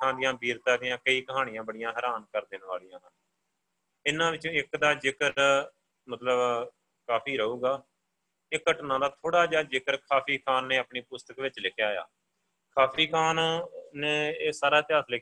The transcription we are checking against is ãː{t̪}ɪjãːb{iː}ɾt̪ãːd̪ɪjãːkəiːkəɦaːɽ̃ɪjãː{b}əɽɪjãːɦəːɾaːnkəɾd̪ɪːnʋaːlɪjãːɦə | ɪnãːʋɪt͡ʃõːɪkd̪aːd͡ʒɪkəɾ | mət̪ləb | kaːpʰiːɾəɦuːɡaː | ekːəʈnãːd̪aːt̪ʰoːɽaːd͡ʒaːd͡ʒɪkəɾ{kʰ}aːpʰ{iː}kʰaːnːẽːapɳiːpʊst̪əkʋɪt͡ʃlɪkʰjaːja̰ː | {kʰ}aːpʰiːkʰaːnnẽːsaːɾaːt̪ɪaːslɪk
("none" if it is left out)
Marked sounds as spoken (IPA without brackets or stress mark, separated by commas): d̪, iː, b, kʰ, iː, kʰ